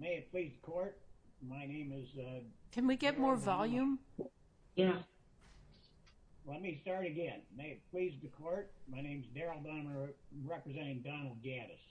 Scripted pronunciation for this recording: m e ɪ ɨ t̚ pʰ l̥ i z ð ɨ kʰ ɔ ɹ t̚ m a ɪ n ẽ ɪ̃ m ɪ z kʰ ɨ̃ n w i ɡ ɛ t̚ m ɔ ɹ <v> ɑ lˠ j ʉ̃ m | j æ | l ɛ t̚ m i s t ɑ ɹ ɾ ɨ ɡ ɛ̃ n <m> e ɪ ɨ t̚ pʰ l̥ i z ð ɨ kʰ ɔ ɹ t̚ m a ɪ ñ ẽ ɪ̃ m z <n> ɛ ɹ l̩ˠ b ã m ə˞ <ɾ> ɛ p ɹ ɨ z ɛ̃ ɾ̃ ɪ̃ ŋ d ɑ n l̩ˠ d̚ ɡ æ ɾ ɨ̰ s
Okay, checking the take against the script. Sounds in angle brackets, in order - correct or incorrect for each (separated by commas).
correct, correct, incorrect, incorrect